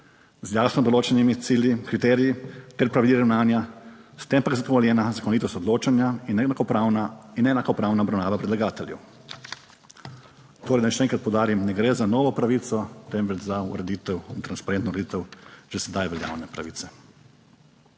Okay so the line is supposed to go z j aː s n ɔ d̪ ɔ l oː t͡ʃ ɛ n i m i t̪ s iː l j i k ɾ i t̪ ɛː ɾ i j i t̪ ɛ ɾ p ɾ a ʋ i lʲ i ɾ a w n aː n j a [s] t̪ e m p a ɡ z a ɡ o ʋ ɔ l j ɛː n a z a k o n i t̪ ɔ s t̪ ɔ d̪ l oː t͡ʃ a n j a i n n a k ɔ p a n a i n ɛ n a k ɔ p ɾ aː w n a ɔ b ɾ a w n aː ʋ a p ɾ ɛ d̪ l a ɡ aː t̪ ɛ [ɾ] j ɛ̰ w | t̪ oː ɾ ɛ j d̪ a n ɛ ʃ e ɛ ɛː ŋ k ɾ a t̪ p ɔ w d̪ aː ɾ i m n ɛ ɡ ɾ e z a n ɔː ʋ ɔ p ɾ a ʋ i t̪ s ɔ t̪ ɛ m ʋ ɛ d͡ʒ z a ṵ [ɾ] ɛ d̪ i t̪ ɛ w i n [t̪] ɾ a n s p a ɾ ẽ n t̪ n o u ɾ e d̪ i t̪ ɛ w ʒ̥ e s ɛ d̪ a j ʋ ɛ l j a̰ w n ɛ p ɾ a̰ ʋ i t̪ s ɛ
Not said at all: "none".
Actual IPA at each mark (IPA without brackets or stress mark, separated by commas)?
s, l, ɾ, t̪